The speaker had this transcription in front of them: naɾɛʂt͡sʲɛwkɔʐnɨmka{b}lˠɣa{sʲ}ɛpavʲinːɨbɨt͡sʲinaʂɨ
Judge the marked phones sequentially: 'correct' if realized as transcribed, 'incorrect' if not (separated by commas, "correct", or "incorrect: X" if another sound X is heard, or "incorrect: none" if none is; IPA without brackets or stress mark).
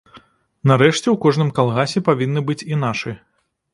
incorrect: none, correct